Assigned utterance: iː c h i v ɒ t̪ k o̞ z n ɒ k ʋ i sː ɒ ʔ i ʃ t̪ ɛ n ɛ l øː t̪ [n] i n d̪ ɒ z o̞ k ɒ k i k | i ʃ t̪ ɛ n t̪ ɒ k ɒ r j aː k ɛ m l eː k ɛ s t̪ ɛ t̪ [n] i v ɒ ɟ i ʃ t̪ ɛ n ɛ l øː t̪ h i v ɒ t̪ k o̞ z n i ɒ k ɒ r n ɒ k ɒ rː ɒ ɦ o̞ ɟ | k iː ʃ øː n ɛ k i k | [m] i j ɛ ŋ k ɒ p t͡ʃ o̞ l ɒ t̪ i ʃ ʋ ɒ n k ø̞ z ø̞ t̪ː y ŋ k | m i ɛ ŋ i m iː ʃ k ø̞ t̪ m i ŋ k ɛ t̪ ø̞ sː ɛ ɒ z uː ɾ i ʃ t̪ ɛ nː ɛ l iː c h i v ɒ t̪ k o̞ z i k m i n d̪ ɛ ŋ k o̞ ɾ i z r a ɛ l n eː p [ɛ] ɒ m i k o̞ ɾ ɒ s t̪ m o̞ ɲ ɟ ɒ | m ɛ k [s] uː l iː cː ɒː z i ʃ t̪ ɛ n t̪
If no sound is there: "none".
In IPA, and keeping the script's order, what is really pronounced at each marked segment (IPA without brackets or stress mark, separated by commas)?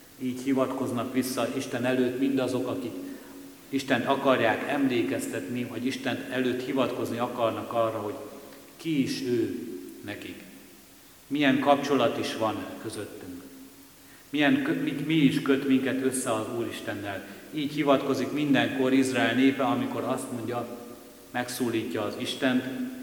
m, n, m, ɛ, s